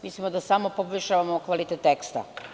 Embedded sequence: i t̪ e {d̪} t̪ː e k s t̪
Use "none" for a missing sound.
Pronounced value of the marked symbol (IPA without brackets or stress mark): none